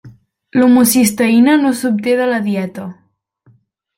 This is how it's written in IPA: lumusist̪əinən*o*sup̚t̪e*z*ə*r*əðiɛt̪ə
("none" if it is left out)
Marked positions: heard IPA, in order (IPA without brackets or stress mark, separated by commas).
o, ð, l